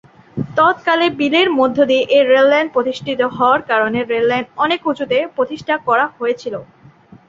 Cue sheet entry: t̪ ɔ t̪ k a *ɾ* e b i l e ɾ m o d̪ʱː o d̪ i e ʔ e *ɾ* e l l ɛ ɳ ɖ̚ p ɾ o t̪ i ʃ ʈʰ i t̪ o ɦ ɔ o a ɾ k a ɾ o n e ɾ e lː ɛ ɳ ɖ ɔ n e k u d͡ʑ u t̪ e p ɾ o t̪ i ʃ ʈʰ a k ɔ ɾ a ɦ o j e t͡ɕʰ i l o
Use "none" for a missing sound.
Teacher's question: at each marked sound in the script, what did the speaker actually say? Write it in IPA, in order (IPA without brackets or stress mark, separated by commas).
l, ɾ